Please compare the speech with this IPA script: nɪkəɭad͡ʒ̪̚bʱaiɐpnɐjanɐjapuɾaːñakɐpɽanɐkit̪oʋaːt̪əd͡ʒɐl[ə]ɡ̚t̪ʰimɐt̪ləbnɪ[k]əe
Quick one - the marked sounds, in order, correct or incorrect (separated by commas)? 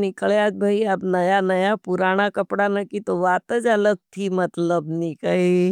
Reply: correct, correct